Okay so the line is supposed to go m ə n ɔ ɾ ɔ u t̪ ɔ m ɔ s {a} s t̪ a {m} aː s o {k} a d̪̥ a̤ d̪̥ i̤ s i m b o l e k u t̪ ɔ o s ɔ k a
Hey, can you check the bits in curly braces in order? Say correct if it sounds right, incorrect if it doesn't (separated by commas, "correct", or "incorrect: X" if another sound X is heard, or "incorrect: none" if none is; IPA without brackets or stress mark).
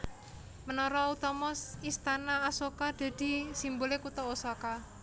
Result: incorrect: i, incorrect: n, correct